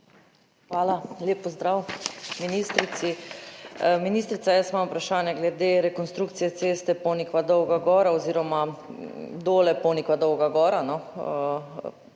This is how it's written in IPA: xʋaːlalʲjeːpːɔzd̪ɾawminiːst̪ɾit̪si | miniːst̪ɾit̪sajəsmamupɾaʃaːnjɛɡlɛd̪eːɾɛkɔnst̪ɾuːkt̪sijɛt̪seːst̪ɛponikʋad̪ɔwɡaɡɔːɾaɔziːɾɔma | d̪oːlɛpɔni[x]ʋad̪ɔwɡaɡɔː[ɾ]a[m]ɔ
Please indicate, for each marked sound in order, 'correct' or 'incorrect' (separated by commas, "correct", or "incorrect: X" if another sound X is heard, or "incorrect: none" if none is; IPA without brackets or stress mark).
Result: incorrect: k, correct, incorrect: n